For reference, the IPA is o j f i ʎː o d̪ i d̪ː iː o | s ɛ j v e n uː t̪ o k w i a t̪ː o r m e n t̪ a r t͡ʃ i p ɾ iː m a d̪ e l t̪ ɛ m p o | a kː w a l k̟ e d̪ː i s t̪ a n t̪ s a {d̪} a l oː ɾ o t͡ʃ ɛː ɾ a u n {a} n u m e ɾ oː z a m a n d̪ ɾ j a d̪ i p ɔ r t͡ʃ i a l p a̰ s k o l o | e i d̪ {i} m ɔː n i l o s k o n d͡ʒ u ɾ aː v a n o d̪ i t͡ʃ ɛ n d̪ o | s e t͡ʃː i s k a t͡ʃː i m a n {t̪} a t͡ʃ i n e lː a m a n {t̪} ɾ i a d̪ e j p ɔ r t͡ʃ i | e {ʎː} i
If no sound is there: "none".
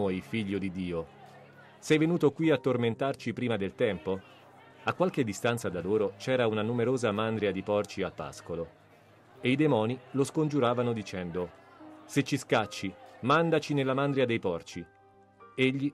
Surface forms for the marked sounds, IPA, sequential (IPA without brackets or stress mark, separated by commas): d̪, a, e, d̪, d̪, ʎː